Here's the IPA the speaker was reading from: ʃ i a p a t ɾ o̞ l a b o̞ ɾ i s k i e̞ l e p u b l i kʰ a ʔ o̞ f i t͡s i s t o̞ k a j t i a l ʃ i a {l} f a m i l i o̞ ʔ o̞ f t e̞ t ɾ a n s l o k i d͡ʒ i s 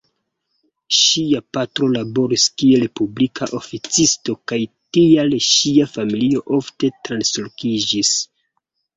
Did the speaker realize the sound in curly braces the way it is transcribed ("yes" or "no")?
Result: no